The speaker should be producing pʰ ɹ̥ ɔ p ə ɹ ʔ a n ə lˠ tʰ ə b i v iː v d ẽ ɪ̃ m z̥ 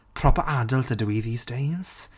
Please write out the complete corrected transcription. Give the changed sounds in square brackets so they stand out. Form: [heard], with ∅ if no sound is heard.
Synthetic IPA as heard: pʰ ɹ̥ ɔ p ə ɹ ʔ a [d] ə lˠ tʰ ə [d] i [ð] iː [z] d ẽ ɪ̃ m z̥